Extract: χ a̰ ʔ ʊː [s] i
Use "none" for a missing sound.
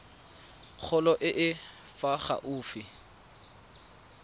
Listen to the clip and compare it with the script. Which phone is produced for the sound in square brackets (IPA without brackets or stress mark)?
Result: f